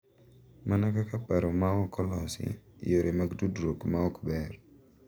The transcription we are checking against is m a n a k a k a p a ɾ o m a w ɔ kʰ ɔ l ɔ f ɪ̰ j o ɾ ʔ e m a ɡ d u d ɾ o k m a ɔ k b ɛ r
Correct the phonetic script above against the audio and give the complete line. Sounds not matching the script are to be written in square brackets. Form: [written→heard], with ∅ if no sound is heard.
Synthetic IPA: m a n a k a k a p a ɾ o m a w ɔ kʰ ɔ l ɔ [f→s] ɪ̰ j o ɾ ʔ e m a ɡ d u d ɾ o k m a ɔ k b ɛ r